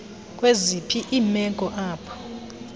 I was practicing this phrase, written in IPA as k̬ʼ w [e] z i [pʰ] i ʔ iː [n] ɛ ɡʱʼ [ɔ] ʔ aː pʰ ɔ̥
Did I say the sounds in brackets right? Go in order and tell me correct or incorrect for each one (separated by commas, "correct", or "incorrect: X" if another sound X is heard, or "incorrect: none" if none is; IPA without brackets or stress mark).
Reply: correct, correct, incorrect: m, correct